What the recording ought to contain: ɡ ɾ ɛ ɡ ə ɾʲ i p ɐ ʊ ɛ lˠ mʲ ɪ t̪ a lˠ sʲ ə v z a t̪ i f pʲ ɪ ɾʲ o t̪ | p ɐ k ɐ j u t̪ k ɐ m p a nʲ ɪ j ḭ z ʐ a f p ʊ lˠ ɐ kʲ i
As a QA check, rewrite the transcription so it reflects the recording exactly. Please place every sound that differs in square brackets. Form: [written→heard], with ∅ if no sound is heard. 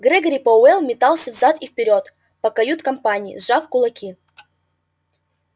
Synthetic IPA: ɡ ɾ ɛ ɡ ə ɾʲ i p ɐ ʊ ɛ lˠ mʲ ɪ t̪ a lˠ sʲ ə v z a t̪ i f pʲ ɪ ɾʲ o t̪ | p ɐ k ɐ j u t̪ k ɐ m p a nʲ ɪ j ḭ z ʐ a f [p→k] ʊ lˠ ɐ kʲ i